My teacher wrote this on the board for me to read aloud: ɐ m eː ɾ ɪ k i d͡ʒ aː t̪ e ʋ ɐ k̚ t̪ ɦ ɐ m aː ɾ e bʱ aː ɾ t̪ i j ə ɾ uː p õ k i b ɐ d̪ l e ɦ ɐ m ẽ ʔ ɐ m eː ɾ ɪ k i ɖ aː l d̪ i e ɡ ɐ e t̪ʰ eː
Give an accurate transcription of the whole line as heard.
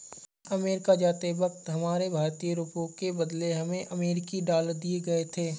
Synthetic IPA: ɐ m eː ɾ ɪ k a d͡ʒ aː t̪ e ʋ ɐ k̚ t̪ ɦ ɐ m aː ɾ e bʱ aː ɾ t̪ i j ə ɾ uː p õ k e b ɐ d̪ l e ɦ ɐ m ẽ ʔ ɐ m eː ɾ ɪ k i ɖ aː l d̪ i e ɡ ɐ e t̪ʰ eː